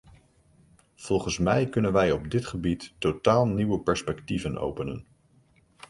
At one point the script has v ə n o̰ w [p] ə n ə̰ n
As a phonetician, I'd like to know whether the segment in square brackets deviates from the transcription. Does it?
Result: no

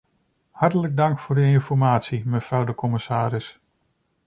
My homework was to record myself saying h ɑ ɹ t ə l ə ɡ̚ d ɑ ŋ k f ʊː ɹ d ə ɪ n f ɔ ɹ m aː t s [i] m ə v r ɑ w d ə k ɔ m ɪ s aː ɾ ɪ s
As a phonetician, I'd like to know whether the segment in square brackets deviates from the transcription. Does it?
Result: no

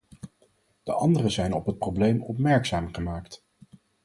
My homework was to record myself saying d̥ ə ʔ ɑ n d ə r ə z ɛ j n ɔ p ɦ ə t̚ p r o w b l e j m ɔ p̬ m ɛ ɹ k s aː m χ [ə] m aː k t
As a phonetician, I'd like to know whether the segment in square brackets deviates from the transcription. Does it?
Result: no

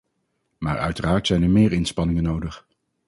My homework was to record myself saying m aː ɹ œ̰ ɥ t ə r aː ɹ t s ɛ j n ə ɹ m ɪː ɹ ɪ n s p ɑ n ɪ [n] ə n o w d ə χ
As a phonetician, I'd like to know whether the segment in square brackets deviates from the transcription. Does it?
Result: yes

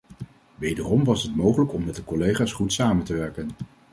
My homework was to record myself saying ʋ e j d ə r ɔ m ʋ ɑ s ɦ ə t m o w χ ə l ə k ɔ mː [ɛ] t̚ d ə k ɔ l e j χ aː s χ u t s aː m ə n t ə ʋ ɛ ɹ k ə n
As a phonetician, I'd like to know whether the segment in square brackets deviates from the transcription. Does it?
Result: no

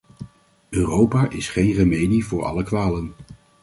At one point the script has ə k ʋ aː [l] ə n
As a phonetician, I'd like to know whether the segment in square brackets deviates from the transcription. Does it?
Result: no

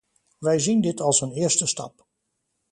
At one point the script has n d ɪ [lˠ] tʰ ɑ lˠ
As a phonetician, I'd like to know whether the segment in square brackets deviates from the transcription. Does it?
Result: yes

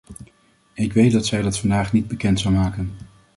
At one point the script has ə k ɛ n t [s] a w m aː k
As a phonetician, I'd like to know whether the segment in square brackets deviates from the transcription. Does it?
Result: no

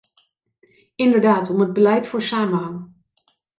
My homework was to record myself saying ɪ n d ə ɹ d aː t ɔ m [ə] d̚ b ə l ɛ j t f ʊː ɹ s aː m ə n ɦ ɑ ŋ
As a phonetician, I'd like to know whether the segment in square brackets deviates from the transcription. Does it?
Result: no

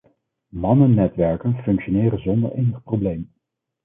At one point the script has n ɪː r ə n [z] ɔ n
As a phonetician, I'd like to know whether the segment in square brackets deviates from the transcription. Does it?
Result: no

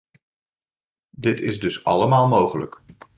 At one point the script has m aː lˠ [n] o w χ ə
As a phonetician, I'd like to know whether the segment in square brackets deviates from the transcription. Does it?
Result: yes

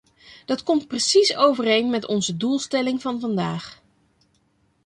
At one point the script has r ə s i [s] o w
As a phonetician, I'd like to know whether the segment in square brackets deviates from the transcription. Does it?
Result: no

